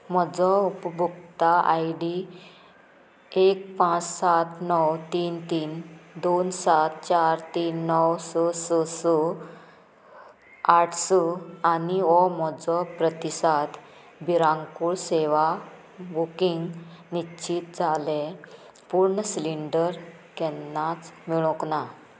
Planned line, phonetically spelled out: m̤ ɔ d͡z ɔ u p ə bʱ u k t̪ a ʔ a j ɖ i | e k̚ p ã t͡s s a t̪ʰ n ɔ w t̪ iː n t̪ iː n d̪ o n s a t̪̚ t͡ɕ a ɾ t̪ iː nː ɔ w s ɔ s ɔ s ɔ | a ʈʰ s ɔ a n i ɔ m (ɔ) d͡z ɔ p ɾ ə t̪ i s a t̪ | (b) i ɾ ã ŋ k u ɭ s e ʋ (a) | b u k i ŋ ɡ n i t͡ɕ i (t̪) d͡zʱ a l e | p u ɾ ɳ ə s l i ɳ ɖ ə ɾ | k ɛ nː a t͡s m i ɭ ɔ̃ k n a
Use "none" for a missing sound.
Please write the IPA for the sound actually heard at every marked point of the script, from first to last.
ɔ, b, a, t̪

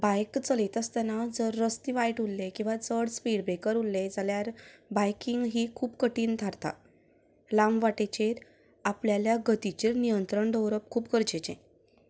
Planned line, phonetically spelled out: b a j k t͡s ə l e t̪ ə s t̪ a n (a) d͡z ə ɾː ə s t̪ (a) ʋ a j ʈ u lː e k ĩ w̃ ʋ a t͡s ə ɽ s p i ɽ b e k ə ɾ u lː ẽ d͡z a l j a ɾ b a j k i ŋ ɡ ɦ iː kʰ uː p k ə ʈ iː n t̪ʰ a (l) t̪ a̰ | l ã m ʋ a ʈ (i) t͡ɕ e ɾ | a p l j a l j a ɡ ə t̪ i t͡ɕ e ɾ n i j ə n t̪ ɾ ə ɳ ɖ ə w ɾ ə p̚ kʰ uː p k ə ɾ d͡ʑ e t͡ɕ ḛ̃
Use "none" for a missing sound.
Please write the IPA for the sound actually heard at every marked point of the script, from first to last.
a, i, ɾ, e

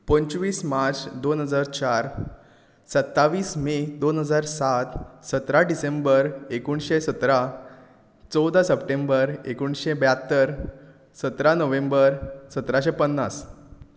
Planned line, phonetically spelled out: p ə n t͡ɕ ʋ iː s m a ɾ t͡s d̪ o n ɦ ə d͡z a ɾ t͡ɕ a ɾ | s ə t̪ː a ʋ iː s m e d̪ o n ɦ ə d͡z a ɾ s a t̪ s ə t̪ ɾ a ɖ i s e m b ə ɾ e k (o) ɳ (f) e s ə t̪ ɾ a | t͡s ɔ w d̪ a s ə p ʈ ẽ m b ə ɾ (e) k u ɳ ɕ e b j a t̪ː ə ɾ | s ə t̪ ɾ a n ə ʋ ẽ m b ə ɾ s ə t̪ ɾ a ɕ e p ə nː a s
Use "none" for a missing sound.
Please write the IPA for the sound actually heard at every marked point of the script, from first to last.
u, ɕ, e

